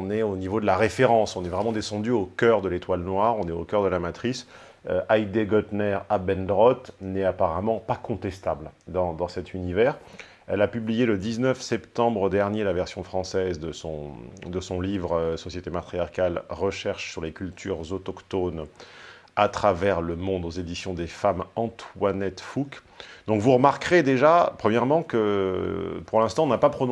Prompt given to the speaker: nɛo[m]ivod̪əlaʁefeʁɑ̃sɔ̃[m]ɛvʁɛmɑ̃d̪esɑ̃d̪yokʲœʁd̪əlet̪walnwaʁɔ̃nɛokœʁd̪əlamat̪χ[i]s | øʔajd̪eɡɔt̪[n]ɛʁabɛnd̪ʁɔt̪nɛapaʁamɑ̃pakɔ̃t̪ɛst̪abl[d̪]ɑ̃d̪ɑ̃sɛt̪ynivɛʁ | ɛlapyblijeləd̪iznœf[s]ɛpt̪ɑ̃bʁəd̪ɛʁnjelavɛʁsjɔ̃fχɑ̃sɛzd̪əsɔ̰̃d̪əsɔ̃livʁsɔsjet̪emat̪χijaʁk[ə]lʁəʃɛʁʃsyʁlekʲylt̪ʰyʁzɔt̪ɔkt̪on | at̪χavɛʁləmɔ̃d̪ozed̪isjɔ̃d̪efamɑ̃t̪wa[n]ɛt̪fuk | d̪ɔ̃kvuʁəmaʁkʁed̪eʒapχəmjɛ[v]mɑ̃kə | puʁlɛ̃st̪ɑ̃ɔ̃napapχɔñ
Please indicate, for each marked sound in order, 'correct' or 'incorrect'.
incorrect, incorrect, correct, correct, correct, correct, incorrect, correct, incorrect

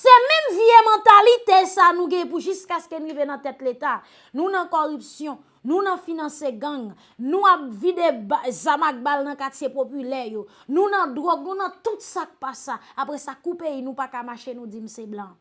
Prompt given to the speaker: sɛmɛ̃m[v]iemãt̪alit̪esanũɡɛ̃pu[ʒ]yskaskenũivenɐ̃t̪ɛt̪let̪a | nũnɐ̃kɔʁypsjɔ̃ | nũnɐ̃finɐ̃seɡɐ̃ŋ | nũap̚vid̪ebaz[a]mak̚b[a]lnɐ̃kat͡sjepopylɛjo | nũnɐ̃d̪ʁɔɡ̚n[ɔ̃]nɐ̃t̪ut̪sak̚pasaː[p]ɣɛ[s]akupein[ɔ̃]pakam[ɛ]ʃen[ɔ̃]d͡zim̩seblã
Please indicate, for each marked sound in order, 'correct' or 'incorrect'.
correct, correct, correct, correct, incorrect, correct, correct, incorrect, incorrect, incorrect

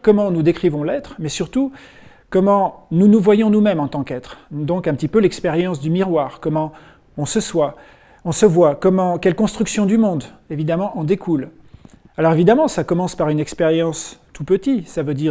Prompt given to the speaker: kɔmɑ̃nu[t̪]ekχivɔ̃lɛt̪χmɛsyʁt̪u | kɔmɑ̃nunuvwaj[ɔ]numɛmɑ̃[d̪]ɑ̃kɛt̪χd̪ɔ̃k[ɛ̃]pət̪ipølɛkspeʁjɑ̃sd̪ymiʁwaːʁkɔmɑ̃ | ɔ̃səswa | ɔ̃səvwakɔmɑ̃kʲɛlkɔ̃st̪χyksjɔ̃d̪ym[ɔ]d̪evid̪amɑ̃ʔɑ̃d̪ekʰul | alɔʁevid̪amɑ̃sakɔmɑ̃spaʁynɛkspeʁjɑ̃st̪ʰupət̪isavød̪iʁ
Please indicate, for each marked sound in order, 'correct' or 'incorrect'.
incorrect, incorrect, incorrect, correct, incorrect

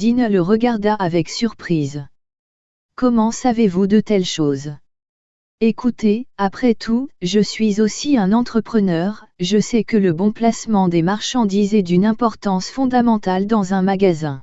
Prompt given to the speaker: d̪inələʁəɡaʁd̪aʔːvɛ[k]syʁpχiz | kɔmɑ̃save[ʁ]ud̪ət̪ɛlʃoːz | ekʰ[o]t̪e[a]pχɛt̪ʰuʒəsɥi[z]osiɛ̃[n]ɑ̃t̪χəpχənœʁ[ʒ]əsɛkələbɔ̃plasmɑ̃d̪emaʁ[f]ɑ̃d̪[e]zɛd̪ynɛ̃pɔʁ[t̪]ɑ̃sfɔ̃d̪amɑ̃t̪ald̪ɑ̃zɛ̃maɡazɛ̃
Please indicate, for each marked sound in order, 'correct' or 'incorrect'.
correct, incorrect, incorrect, correct, correct, correct, correct, incorrect, incorrect, correct

